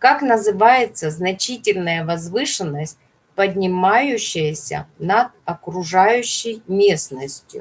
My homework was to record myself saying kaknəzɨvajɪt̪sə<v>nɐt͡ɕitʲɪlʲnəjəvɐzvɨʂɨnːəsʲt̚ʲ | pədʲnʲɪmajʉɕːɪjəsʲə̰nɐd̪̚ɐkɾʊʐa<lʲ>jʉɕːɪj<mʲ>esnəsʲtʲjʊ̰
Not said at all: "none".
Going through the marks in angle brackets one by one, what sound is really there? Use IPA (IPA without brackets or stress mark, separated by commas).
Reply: z, none, mʲ